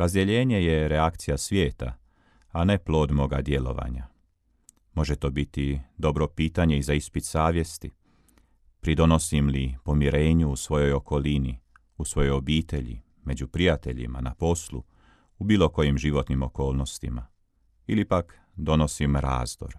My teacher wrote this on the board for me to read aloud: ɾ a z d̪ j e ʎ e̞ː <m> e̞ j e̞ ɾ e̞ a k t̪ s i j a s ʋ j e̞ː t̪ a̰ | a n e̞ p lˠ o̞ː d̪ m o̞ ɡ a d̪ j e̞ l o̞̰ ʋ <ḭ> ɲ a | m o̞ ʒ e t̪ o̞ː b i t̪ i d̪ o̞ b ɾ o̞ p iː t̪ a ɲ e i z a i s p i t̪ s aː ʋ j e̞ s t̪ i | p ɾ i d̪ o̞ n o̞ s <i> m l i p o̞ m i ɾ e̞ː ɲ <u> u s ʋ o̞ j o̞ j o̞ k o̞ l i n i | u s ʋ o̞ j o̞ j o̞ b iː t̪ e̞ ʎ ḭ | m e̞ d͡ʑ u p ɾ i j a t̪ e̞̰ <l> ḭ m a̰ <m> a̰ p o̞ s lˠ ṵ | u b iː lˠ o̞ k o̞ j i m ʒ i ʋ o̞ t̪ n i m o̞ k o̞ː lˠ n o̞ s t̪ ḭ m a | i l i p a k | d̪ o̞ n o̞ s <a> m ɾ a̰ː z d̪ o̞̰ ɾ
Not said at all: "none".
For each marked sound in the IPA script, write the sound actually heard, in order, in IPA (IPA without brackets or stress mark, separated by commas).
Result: ɲ, a̰, i, u, ʎ, n, i